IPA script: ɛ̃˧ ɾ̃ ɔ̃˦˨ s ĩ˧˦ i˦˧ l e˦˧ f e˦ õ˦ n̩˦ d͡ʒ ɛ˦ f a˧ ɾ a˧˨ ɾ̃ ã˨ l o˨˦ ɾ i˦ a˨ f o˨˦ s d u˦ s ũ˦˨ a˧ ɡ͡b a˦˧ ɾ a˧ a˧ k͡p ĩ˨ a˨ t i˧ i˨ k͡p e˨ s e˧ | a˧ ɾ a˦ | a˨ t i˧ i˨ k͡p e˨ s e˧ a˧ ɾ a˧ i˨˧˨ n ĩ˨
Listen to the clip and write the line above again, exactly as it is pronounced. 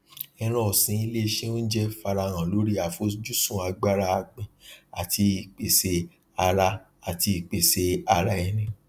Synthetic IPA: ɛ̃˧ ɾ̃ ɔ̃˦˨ s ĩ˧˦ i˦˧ l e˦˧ ʃ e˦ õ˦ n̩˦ d͡ʒ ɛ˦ f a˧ ɾ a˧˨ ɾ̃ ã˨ l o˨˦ ɾ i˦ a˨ f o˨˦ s d͡ʒ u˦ s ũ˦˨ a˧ ɡ͡b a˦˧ ɾ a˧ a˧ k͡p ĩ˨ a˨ t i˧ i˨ k͡p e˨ s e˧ | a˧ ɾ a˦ | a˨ t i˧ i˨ k͡p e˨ s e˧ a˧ ɾ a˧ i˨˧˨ n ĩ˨